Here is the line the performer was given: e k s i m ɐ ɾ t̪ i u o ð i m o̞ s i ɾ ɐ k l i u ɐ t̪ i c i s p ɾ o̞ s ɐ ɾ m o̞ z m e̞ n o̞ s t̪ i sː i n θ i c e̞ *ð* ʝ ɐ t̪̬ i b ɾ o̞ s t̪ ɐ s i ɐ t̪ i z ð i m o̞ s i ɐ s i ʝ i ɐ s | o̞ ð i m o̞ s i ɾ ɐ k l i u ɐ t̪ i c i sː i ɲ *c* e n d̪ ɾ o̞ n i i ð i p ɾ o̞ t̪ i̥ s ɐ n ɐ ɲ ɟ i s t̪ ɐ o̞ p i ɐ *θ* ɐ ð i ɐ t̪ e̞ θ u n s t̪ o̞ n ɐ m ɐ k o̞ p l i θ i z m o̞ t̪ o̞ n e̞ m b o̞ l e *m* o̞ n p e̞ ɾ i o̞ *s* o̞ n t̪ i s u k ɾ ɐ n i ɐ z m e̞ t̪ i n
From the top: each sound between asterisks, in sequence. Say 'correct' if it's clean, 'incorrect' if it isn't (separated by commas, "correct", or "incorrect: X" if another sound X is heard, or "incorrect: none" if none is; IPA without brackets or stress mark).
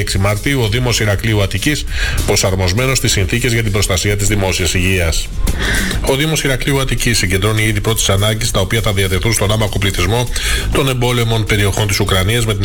incorrect: z, incorrect: ɟ, correct, correct, incorrect: x